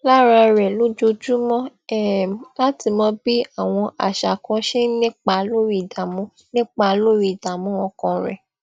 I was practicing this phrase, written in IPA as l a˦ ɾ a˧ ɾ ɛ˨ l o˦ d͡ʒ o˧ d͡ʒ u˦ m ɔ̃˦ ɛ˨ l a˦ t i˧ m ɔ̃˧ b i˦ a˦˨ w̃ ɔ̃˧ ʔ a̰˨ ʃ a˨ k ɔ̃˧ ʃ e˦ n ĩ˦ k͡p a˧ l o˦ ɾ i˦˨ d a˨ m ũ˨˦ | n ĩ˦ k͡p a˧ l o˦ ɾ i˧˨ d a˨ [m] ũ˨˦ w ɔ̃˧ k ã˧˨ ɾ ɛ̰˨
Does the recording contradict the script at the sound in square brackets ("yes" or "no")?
no